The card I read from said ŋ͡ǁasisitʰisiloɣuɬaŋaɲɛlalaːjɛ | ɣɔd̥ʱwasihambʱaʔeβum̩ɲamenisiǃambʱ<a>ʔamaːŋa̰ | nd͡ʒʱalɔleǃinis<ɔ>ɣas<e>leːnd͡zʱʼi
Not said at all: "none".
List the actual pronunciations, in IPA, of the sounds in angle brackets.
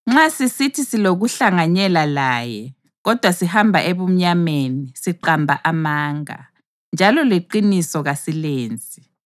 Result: a, ɔ, i

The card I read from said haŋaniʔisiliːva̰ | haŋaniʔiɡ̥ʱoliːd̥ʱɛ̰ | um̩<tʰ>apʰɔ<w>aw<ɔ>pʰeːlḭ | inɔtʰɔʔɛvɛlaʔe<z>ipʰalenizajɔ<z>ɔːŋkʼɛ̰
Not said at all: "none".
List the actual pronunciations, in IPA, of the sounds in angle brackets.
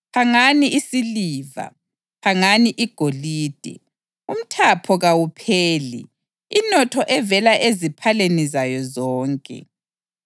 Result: tʰ, ɣ, u, z, z

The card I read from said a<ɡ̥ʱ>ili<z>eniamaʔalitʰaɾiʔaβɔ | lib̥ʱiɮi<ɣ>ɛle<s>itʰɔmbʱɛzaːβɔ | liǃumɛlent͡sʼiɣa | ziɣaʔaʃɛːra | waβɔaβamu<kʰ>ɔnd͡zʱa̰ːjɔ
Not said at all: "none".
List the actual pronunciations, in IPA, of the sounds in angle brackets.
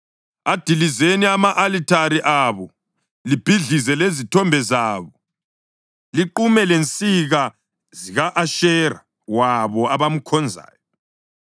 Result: d̥ʱ, z, z, z, kʰ

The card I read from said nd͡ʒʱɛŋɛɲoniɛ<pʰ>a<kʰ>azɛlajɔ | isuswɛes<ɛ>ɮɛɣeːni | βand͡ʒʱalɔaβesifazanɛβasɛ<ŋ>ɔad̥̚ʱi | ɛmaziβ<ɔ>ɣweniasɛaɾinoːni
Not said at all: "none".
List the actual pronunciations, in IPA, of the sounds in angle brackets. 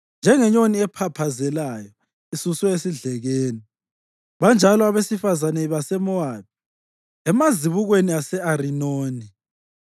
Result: pʰ, pʰ, i, m, u

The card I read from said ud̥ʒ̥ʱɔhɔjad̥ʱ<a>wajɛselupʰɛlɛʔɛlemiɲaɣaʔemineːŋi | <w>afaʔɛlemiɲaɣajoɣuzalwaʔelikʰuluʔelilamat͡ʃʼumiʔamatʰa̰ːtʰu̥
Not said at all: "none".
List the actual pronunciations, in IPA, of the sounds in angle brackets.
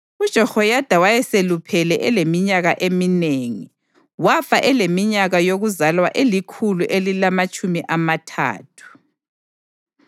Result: a, w

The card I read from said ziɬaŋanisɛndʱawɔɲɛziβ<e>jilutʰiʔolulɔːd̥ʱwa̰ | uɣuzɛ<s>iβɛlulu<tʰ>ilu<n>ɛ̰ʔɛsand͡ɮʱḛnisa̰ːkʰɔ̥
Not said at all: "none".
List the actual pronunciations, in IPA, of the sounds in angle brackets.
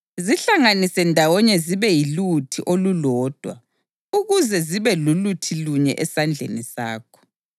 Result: ɛ, z, tʰ, ɲ

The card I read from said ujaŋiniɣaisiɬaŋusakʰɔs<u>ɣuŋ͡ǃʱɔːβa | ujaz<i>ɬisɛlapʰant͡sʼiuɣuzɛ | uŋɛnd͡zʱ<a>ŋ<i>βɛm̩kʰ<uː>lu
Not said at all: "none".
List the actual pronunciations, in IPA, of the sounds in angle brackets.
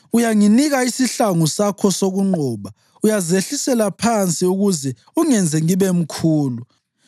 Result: o, e, ɛ, i, uː

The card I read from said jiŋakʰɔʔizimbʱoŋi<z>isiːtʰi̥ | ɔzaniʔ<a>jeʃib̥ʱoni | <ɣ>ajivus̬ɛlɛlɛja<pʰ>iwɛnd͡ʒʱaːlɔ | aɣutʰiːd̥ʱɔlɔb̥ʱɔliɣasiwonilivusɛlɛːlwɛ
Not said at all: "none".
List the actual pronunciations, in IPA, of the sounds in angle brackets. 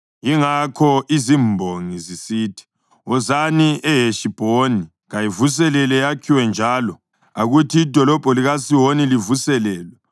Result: z, ɛ, ɣ, kʰ

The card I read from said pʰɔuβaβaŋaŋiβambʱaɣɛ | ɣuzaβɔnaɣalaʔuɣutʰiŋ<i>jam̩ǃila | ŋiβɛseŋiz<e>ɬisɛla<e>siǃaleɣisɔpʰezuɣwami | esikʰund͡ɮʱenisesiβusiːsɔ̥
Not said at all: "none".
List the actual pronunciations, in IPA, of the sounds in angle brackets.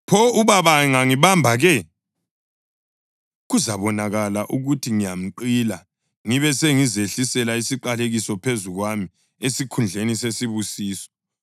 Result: i, e, i

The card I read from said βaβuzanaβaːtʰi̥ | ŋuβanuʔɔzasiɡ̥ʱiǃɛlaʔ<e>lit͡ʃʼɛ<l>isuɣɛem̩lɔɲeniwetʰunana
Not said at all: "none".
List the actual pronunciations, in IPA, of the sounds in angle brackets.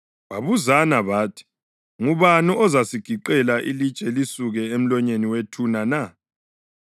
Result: i, l

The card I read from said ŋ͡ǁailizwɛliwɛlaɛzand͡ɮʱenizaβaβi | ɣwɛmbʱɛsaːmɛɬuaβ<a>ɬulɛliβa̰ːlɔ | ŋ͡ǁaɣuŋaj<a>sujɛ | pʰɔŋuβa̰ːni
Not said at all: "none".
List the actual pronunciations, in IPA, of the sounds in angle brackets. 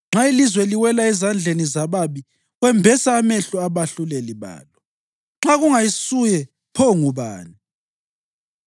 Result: a, i

